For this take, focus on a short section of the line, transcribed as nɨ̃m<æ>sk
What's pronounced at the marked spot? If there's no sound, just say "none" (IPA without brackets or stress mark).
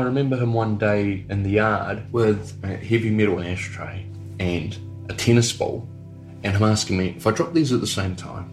æ